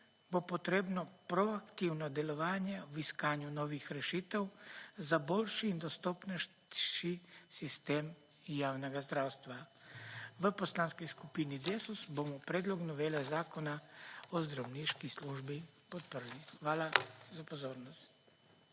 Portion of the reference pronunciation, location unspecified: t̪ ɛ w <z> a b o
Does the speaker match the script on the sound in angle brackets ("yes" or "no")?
yes